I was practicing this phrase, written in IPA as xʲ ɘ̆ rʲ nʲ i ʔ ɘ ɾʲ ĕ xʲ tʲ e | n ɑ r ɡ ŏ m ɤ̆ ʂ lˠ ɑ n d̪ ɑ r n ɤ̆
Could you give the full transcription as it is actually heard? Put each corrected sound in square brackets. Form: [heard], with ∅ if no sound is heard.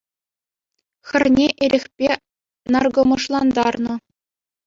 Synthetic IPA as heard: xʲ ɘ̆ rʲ nʲ [e] ʔ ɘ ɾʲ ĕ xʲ [pʲ] e | n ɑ r ɡ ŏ m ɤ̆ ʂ lˠ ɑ n d̪ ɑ r n ɤ̆

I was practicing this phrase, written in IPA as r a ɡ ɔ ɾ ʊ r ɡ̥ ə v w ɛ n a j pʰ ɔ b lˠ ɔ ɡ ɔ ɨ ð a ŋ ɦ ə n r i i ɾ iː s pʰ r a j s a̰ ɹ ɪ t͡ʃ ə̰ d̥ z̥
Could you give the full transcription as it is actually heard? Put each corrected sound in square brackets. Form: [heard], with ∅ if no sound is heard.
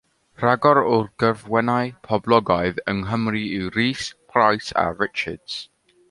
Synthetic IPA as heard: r a ɡ ɔ ɾ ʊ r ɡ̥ ə v w ɛ n a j pʰ ɔ b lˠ ɔ ɡ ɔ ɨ ð [ə] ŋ ɦ ə [m] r i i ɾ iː s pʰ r a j s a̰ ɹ ɪ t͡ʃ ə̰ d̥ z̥

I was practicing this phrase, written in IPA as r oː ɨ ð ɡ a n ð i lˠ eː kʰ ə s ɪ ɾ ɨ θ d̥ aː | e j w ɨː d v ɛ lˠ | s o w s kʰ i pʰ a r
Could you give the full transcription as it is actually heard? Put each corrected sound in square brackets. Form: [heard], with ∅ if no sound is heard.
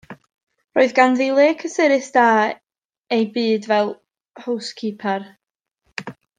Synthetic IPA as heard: r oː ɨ ð ɡ a n ð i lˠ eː kʰ ə s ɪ ɾ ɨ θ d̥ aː | e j [b] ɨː d v ɛ lˠ | [h] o w s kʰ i pʰ a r

